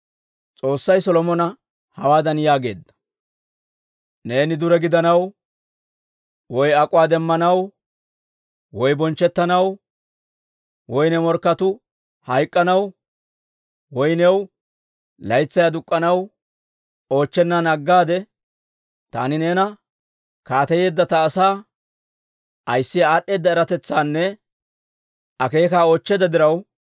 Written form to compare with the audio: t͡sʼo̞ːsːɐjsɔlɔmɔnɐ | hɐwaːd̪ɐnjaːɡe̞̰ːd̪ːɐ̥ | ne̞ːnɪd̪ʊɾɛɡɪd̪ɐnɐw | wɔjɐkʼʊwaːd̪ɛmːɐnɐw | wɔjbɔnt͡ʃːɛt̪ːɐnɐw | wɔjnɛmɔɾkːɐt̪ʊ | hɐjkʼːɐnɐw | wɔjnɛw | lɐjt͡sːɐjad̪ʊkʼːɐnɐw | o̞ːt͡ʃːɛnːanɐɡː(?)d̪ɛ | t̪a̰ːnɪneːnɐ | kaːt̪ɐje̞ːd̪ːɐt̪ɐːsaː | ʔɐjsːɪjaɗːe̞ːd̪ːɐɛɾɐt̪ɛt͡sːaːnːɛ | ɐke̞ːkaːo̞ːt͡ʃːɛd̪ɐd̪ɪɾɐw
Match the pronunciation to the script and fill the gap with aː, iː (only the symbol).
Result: aː